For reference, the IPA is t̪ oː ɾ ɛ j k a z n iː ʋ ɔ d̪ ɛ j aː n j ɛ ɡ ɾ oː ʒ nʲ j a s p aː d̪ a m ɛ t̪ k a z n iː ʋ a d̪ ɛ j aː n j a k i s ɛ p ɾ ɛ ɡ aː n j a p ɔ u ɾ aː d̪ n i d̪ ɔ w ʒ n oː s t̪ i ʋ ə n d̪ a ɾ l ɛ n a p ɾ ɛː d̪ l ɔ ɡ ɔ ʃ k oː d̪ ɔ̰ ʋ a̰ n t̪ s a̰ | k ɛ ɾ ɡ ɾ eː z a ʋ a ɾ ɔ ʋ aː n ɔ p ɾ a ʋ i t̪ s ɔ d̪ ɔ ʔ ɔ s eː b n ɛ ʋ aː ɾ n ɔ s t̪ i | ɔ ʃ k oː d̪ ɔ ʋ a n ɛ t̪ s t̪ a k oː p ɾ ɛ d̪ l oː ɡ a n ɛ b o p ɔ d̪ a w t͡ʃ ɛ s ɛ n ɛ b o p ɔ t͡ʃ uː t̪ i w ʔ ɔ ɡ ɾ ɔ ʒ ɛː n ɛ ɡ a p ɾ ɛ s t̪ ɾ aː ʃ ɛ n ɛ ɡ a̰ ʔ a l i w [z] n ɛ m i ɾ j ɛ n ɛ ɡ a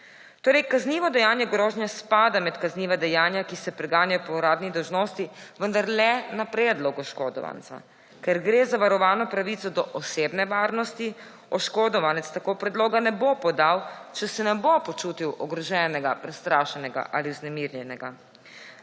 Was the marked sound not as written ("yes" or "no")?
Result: no